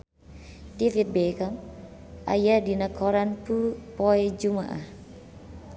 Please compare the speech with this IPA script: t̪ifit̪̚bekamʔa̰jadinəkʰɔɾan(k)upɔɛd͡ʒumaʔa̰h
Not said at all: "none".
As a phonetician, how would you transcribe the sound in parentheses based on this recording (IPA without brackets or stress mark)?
p